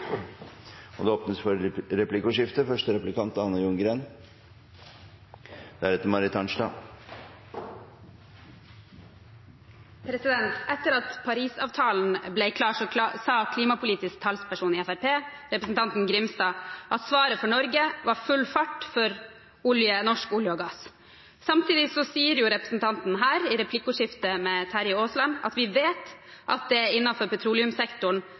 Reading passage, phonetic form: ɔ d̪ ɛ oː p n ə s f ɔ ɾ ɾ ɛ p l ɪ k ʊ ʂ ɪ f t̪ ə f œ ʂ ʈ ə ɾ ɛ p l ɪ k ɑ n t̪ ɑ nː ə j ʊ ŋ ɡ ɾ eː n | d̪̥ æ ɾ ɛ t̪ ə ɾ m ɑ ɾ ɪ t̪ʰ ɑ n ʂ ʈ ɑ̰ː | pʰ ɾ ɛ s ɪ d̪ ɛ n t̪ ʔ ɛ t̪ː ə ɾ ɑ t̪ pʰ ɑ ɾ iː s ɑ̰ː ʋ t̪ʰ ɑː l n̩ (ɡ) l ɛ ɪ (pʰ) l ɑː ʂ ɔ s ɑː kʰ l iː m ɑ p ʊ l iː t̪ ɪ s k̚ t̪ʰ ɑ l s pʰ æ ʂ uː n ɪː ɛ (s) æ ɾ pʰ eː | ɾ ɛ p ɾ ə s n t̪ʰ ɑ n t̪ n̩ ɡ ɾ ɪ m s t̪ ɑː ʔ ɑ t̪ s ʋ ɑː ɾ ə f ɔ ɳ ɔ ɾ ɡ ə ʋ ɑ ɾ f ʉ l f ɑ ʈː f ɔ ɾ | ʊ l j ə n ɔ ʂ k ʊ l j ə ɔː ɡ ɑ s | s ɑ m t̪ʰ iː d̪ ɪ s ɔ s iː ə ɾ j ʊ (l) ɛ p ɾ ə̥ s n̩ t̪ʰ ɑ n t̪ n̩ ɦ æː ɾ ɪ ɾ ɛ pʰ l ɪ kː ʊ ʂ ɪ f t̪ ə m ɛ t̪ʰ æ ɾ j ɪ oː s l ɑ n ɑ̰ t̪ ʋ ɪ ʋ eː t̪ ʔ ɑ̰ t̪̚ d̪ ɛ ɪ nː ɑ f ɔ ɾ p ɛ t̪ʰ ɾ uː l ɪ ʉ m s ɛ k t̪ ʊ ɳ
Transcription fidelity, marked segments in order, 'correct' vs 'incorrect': incorrect: b, incorrect: kʰ, incorrect: f, incorrect: ɾ

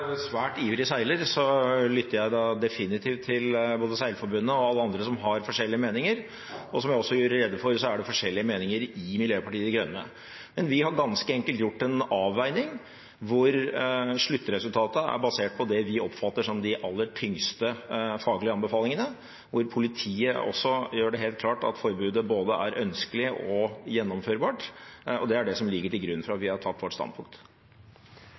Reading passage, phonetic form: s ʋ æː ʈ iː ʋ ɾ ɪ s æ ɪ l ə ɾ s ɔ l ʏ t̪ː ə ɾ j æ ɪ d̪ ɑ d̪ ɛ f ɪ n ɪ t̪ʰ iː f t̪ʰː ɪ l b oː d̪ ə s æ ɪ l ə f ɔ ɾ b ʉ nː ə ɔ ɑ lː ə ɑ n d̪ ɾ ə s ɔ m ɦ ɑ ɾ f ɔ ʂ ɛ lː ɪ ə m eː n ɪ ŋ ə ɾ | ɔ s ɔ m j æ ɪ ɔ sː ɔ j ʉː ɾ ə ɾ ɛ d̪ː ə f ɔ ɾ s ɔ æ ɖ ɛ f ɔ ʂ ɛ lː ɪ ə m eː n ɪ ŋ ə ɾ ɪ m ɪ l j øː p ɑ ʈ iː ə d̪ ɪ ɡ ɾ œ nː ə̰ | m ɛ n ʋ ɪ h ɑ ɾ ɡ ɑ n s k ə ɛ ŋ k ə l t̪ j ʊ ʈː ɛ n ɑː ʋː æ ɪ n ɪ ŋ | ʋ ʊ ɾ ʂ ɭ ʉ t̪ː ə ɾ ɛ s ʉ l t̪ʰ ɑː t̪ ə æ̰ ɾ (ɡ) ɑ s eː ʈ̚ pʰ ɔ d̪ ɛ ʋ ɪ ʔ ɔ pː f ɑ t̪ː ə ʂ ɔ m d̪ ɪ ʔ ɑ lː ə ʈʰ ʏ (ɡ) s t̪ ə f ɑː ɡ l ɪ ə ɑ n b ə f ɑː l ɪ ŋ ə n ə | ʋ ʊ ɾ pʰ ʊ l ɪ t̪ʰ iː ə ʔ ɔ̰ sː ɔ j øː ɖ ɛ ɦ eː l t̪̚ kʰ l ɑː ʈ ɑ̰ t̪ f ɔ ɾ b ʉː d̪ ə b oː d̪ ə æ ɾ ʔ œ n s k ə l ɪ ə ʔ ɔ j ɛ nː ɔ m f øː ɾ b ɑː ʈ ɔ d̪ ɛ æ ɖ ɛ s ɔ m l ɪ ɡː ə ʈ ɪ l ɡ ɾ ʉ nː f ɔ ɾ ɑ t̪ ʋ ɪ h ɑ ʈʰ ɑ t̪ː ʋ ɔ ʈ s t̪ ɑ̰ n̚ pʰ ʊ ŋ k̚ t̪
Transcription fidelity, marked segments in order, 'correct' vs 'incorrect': incorrect: b, incorrect: ŋ

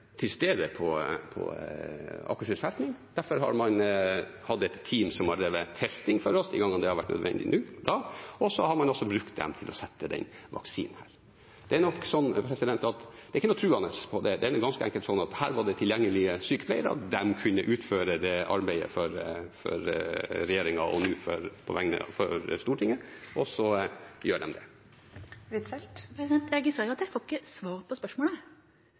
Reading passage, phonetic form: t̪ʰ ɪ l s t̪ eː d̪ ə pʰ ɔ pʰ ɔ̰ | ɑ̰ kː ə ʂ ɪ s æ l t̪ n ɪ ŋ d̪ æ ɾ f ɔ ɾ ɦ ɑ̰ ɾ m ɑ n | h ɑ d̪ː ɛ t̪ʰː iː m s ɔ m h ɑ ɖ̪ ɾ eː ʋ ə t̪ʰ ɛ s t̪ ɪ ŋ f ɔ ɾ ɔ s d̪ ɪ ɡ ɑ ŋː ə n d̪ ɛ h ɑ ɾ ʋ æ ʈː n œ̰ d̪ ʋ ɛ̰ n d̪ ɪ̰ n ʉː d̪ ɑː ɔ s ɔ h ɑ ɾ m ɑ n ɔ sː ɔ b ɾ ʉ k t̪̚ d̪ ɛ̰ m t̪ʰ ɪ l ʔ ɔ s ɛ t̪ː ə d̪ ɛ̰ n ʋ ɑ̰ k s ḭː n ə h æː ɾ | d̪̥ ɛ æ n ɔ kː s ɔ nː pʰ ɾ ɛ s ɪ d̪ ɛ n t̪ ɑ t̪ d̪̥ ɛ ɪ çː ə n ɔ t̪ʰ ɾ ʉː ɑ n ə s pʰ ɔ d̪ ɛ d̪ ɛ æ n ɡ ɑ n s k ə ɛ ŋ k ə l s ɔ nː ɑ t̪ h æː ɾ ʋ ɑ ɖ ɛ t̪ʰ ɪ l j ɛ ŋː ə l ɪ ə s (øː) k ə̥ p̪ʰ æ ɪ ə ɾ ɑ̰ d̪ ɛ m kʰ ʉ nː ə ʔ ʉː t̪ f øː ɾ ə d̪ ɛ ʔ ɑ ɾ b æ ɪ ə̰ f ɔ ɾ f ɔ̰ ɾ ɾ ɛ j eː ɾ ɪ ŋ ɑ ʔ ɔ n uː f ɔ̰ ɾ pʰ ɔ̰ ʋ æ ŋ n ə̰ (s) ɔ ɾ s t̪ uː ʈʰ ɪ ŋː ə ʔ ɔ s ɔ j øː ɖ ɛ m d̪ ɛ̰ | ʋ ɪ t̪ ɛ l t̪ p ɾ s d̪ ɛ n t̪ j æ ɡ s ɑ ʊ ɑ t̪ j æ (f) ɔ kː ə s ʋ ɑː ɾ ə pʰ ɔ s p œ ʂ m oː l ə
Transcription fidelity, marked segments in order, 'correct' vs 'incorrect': incorrect: yː, incorrect: f, correct

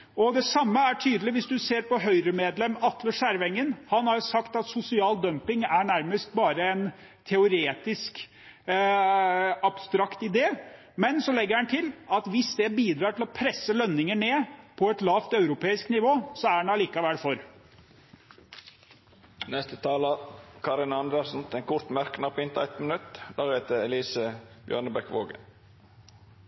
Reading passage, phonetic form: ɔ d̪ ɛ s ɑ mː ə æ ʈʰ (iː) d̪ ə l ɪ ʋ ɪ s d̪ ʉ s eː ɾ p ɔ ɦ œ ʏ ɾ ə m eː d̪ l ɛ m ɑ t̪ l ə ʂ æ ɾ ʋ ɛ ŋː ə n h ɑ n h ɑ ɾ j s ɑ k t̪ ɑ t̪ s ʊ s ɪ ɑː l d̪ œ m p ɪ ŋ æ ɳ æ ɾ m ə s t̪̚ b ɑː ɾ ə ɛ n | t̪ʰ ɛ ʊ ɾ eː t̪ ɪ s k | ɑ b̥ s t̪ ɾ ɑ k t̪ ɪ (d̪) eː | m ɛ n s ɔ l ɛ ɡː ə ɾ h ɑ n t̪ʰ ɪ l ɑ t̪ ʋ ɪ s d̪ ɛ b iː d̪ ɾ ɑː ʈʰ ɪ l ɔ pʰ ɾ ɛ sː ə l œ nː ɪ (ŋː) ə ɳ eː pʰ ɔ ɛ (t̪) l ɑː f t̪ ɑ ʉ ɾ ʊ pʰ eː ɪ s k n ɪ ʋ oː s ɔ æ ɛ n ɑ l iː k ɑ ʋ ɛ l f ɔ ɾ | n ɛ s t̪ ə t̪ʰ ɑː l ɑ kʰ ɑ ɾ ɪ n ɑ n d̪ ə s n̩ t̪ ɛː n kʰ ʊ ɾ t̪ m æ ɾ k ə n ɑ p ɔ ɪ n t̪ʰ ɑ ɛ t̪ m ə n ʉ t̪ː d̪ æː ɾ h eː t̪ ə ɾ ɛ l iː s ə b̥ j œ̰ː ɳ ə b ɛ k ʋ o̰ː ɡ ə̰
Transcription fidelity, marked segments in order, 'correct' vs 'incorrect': incorrect: yː, correct, incorrect: ŋ, correct

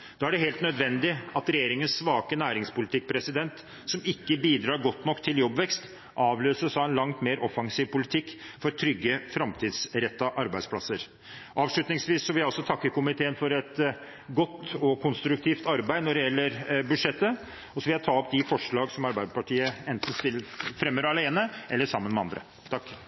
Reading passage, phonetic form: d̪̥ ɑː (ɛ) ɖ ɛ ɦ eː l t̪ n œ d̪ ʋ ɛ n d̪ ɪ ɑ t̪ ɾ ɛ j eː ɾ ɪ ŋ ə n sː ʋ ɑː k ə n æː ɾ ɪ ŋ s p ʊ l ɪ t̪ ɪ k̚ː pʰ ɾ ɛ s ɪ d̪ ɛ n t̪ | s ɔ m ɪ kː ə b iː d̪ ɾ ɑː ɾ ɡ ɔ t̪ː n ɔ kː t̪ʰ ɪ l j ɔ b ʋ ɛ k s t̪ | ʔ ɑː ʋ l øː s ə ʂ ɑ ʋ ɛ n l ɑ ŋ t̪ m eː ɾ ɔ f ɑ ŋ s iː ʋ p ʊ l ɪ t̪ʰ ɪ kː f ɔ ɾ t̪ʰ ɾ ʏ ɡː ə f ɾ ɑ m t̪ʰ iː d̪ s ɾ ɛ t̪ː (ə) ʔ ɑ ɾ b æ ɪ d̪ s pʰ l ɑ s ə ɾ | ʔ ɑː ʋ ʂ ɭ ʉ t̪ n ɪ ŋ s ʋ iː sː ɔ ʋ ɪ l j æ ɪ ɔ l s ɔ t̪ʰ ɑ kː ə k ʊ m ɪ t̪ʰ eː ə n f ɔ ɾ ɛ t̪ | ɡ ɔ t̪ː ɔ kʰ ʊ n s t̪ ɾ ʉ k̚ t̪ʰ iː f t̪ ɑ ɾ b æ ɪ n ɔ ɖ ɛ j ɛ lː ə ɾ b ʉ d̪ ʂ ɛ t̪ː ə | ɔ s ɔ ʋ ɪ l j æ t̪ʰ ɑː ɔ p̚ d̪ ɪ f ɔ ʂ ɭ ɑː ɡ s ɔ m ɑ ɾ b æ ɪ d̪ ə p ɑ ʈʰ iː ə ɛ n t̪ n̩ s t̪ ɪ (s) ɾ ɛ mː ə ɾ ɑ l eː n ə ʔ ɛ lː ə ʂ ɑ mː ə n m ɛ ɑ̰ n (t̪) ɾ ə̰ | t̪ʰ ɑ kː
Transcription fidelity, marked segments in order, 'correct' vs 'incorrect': incorrect: æ, incorrect: ɑ, incorrect: f, incorrect: d̪

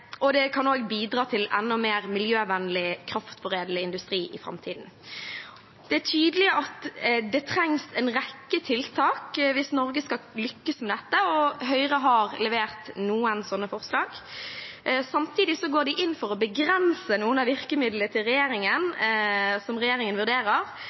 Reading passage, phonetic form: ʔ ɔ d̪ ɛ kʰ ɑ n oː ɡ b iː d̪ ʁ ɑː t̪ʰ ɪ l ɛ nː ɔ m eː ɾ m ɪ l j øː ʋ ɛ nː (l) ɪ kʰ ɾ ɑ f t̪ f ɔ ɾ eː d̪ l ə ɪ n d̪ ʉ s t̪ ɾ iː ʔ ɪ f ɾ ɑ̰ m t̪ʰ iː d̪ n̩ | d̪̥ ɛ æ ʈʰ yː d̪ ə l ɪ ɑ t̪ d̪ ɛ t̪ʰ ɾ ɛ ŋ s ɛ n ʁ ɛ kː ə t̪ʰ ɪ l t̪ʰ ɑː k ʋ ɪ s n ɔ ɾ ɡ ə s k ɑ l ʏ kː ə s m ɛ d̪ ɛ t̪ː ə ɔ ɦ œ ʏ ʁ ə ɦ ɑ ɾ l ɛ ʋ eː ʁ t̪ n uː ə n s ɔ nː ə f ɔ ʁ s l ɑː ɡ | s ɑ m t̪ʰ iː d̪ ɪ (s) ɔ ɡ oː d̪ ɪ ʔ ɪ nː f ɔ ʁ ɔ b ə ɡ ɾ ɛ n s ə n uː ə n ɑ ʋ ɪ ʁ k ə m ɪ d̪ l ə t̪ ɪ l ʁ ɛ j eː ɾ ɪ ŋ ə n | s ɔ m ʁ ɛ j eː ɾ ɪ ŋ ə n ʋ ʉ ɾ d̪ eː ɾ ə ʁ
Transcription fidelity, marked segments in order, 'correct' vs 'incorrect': correct, correct

